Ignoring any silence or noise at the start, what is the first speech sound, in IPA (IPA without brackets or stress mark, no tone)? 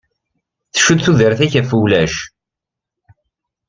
θ